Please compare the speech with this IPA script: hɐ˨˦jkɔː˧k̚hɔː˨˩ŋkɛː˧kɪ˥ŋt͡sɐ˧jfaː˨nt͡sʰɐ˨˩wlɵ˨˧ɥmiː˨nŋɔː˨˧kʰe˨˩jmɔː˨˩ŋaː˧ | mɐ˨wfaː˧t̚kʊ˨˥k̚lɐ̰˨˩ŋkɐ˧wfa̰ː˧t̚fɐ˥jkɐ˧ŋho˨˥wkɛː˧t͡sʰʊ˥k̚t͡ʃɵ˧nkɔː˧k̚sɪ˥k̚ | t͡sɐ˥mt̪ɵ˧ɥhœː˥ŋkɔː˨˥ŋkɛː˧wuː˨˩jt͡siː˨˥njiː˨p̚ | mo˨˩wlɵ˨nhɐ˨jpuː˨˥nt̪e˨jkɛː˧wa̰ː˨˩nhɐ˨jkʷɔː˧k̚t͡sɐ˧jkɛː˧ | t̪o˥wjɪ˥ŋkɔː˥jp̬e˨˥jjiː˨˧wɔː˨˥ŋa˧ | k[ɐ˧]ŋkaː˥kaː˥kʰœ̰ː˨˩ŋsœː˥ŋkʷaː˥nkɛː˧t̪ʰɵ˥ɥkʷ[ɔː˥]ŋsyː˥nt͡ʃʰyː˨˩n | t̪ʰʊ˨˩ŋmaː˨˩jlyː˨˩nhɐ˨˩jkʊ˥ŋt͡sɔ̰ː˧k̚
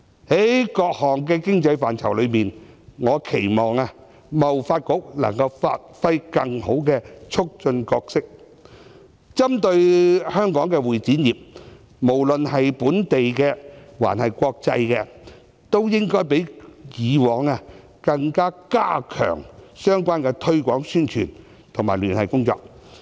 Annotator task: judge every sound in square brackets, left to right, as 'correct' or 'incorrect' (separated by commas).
correct, incorrect